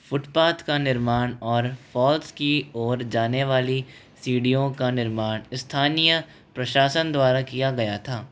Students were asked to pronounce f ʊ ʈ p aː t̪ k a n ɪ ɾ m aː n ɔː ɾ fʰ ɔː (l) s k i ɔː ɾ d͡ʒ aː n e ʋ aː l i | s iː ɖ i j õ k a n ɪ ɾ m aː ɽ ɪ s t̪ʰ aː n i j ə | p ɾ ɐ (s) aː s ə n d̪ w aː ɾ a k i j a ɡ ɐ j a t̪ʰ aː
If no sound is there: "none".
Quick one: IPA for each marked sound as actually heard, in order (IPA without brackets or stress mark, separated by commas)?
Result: l, ʃ